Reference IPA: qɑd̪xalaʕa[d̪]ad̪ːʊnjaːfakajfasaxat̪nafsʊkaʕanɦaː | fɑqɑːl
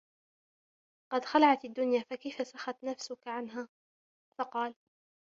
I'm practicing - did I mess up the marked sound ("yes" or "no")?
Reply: yes